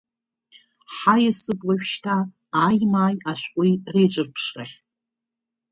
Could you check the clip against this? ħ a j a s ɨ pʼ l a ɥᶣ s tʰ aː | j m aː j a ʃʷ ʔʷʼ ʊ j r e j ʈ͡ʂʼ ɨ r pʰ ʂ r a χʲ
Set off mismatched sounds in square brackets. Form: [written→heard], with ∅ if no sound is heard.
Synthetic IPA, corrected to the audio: ħ a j a s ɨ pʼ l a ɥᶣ [s→ʃ] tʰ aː | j m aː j a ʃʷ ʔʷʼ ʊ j r e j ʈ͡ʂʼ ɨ r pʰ ʂ r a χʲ